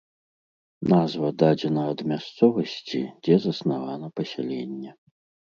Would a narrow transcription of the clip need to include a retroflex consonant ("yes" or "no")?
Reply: no